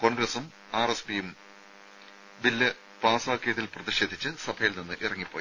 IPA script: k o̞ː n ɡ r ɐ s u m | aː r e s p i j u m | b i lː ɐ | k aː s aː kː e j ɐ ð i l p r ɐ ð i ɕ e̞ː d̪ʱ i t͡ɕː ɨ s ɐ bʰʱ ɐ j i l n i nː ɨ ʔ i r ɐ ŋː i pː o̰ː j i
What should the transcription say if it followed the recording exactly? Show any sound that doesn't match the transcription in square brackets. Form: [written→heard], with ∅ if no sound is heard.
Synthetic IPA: k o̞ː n ɡ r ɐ s u m | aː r e s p i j u m | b i lː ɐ | [k→p] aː s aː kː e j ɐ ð i l p r ɐ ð i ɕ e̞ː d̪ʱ i t͡ɕː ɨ s ɐ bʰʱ ɐ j i l n i nː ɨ ʔ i r ɐ ŋː i pː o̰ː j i

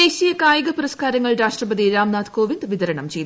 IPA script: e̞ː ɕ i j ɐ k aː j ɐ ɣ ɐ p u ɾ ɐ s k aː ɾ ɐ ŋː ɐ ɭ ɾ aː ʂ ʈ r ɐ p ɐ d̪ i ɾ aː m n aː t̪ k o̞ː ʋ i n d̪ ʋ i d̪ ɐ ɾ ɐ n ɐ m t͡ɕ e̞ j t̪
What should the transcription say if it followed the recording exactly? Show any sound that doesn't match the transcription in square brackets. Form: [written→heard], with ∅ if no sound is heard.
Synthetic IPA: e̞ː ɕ i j ɐ k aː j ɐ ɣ ɐ p u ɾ ɐ s k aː ɾ ɐ ŋː ɐ ɭ ɾ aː ʂ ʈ r ɐ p ɐ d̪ i ɾ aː m n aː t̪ k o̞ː ʋ i n d̪ ʋ i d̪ ɐ ɾ ɐ [n→ɳ] ɐ m t͡ɕ e̞ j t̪

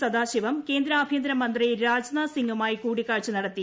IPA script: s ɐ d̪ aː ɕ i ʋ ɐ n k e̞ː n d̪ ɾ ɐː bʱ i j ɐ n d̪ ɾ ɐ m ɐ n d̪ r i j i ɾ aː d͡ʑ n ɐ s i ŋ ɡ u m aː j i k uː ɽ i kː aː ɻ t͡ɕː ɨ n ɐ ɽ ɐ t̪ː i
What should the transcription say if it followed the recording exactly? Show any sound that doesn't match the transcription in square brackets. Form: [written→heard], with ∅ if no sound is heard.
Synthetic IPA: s ɐ d̪ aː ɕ i ʋ ɐ [n→m] k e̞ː n d̪ ɾ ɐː bʱ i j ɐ n d̪ ɾ ɐ m ɐ n d̪ r i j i ɾ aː d͡ʑ n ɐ s i ŋ ɡ u m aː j i k uː ɽ i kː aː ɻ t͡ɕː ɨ n ɐ ɽ ɐ t̪ː i

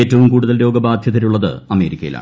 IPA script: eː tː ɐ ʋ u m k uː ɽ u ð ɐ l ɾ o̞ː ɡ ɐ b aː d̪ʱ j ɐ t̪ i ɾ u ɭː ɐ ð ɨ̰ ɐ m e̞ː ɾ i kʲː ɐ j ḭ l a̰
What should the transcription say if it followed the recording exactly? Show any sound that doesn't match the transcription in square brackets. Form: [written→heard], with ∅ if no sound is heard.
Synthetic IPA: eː tː ɐ ʋ u m k uː ɽ u ð ɐ l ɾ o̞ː ɡ ɐ b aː d̪ʱ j ɐ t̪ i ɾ u ɭː ɐ ð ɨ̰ ɐ m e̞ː ɾ i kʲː ɐ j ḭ l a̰

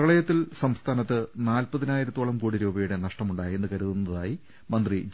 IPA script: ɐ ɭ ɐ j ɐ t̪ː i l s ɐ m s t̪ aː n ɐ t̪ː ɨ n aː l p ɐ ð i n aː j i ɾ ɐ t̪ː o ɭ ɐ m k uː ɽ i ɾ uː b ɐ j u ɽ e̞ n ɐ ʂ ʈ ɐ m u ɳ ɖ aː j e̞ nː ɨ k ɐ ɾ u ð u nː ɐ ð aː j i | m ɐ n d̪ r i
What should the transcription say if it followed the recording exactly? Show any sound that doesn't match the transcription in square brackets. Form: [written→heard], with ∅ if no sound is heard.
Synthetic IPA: ɐ ɭ ɐ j ɐ t̪ː i l s ɐ m s [t̪→t̪ʰ] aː n ɐ t̪ː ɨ n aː l p ɐ ð i n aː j i ɾ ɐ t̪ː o ɭ ɐ m k uː ɽ i ɾ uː b ɐ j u ɽ e̞ n ɐ ʂ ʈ ɐ m u ɳ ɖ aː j e̞ nː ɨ k ɐ ɾ u ð u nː ɐ ð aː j i | m ɐ n d̪ r i

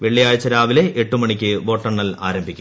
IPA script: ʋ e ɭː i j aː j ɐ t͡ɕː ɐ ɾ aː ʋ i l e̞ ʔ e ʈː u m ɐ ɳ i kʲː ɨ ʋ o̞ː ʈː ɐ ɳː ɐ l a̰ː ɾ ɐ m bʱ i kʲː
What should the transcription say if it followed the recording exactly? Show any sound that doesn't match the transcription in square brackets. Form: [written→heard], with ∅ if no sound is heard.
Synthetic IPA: ʋ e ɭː i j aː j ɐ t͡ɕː ɐ ɾ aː ʋ i l e̞ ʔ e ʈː u m ɐ ɳ i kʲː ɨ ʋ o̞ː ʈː ɐ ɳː ɐ l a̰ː ɾ ɐ m bʱ i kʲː

